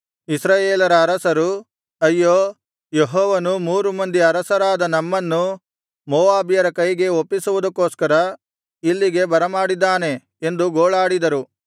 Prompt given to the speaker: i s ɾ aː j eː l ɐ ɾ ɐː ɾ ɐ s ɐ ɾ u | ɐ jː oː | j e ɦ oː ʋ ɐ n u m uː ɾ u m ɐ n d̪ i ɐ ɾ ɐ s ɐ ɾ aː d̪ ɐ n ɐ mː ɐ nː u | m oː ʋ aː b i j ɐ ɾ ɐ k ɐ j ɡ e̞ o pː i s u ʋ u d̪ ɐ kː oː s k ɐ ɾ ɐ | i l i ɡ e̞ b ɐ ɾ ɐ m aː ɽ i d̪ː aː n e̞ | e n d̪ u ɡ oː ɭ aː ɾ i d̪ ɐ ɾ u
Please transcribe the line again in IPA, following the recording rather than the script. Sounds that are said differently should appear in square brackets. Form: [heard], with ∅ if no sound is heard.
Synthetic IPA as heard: i s ɾ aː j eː l ɐ ɾ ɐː ɾ ɐ s ɐ ɾ u | ɐ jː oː | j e ɦ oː ʋ ɐ n u m uː ɾ u m ɐ n d̪ i ɐ ɾ ɐ s ɐ ɾ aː d̪ ɐ n ɐ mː ɐ nː u | m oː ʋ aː b i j ɐ ɾ ɐ k ɐ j ɡ e̞ o pː i s u ʋ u d̪ ɐ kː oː s k ɐ ɾ ɐ | i [lː] i ɡ e̞ b ɐ ɾ ɐ m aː ɽ i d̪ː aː n e̞ | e n d̪ u ɡ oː ɭ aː [ɽ] i d̪ ɐ ɾ u